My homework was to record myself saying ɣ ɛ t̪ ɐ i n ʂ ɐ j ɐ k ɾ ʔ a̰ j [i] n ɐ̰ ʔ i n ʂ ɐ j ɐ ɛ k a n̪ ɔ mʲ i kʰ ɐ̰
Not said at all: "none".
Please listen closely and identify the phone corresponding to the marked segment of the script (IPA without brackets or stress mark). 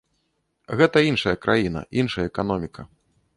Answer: i